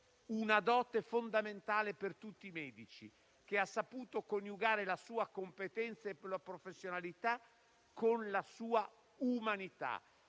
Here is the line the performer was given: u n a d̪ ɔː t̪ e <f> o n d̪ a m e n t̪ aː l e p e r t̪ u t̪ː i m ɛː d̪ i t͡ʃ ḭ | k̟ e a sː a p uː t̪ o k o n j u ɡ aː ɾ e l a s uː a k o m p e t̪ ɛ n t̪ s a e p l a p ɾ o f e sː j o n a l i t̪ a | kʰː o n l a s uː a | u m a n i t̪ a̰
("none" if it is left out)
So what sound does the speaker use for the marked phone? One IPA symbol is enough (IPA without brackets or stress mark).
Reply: f